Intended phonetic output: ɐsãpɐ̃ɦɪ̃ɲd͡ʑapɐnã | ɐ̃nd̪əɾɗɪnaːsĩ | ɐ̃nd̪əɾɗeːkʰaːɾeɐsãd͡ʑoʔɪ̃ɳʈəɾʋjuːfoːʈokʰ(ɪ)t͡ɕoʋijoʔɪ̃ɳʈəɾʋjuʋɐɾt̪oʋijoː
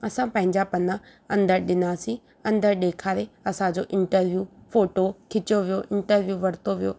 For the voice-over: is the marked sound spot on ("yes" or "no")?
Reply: yes